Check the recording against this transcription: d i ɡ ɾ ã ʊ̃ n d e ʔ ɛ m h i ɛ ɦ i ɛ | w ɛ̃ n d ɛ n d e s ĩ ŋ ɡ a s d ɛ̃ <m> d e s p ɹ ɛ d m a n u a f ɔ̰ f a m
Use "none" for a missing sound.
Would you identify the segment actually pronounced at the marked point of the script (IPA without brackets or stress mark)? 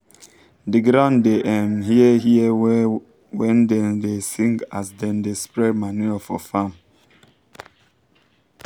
n